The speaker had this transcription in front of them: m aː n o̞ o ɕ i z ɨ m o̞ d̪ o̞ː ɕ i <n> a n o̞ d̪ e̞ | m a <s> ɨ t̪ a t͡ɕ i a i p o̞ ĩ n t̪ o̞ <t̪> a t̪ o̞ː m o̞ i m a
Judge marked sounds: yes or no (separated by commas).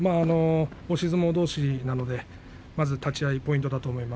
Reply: yes, no, no